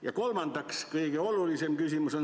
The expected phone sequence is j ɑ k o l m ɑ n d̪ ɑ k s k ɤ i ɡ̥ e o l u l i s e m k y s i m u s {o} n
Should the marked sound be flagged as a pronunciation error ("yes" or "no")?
no